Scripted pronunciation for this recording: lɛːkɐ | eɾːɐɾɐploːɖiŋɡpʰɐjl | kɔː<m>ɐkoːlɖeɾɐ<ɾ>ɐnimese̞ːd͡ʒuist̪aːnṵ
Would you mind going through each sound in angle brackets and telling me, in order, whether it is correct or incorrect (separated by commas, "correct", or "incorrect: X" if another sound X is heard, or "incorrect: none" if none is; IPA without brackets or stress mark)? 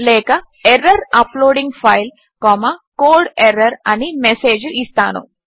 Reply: correct, correct